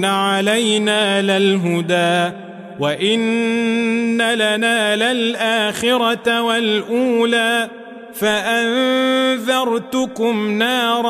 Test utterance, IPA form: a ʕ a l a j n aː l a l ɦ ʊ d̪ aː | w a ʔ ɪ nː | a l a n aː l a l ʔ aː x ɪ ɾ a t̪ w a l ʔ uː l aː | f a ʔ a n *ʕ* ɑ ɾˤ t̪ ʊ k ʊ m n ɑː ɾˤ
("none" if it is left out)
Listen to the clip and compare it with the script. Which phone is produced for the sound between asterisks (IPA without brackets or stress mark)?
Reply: ð